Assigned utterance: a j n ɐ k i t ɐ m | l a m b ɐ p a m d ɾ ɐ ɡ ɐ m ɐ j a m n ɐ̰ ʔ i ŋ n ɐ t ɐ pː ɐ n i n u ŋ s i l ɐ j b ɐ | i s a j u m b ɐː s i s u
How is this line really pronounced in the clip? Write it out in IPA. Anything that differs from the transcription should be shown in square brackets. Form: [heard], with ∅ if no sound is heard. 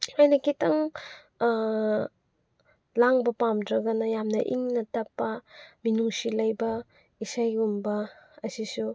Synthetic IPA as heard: a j n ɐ k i t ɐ [ŋ] | l a [ŋ] b ɐ p a m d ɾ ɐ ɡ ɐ [n] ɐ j a m n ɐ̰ ʔ i ŋ n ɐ t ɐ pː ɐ [m] i n u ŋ s i l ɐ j b ɐ | i s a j u m b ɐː s i s u